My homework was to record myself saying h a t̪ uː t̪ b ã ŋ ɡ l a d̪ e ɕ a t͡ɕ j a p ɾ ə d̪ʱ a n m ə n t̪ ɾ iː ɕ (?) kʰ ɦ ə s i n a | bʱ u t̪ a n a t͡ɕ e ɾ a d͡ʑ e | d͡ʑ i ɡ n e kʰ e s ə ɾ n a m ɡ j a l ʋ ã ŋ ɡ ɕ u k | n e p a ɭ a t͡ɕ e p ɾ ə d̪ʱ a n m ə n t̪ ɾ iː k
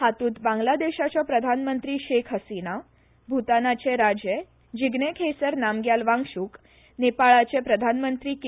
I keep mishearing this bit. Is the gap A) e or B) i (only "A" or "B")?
A